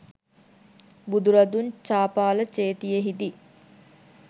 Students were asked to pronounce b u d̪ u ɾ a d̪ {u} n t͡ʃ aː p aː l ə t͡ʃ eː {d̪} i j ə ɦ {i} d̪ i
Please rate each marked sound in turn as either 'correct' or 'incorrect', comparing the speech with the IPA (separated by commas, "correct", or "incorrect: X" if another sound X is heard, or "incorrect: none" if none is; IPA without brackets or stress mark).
correct, incorrect: t̪, correct